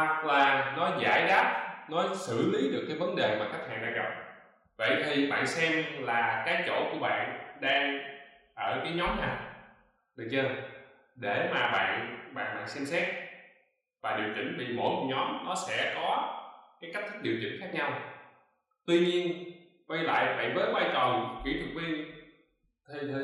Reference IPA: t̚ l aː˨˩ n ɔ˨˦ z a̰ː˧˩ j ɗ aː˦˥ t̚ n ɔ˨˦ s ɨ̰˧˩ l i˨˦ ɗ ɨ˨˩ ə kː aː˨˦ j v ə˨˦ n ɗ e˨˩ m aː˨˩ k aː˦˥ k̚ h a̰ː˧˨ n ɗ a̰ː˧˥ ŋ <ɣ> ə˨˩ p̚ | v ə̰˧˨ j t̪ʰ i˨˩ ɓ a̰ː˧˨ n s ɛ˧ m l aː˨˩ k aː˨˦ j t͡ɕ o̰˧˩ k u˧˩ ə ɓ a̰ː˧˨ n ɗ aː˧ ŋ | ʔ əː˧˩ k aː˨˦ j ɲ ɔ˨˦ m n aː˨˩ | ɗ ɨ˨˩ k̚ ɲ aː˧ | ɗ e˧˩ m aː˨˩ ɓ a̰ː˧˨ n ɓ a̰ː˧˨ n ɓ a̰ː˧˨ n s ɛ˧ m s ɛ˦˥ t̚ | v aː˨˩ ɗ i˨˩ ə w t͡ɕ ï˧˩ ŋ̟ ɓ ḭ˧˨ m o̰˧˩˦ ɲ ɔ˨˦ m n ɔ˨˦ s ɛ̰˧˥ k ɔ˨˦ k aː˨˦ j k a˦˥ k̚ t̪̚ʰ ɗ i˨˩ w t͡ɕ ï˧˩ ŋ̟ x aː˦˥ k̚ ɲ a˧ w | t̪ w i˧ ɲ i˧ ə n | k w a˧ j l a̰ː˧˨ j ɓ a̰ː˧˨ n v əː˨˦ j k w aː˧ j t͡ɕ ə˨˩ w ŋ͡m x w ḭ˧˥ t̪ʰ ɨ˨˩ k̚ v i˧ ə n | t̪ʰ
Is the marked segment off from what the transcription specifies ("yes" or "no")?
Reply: no